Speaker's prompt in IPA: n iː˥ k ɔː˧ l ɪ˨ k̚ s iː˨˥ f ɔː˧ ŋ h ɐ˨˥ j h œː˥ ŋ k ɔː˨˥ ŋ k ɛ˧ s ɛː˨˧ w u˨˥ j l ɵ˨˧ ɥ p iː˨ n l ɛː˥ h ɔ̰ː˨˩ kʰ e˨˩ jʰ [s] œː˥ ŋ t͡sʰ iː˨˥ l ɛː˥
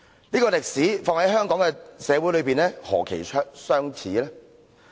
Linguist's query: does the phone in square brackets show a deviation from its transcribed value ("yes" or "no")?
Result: no